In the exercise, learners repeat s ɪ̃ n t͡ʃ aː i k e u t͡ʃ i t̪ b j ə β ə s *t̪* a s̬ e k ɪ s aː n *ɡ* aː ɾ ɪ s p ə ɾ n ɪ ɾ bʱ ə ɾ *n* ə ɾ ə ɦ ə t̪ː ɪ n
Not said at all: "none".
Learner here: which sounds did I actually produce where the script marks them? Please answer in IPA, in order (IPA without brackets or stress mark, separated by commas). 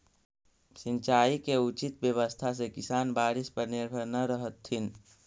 t̪ʰ, b, n